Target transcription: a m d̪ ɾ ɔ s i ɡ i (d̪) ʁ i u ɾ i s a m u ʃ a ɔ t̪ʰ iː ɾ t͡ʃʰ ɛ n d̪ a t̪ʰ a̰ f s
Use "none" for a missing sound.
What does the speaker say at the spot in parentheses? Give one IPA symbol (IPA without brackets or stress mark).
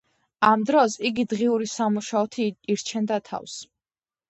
d̪